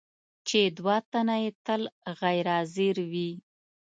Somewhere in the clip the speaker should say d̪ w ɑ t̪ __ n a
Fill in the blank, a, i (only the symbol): a